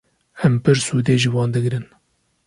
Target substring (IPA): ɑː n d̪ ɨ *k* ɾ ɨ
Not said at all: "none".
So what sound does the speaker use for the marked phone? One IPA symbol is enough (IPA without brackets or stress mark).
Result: ɡ